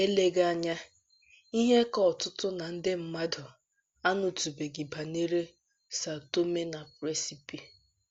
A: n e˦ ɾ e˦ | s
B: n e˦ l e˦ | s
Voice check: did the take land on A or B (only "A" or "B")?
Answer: A